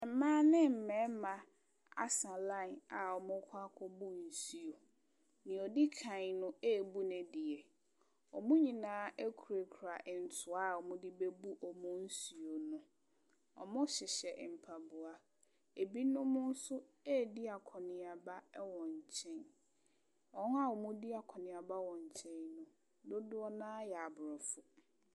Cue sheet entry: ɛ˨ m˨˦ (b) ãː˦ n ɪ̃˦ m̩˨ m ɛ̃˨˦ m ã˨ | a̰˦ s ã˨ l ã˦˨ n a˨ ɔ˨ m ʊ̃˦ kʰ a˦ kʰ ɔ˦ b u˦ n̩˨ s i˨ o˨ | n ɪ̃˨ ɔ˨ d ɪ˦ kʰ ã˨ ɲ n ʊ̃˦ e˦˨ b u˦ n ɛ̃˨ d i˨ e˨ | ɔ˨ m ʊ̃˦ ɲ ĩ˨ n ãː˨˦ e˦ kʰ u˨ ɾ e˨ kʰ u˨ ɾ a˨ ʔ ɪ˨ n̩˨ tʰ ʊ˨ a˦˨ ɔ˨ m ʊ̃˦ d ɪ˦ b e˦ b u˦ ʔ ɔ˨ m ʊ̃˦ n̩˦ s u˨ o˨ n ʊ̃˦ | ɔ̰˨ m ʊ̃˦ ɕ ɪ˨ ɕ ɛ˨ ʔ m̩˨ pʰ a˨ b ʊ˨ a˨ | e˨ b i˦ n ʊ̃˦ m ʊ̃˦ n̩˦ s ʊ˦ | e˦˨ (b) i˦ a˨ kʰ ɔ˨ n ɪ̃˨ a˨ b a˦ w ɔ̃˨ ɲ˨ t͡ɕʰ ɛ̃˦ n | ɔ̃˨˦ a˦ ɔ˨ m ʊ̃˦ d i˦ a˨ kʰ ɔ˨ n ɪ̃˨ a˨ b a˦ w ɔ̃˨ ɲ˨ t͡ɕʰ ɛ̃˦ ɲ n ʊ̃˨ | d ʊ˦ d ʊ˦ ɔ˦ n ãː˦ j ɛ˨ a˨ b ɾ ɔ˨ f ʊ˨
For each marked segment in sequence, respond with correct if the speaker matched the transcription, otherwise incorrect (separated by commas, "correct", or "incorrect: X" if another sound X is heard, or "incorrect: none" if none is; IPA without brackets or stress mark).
incorrect: m, incorrect: d